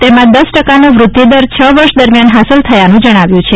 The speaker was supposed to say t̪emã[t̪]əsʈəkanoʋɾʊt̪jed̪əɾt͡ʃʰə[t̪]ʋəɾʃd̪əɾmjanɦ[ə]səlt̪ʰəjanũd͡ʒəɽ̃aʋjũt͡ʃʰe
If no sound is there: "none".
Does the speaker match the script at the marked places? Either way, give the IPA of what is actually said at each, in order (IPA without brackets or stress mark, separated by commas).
d̪, none, a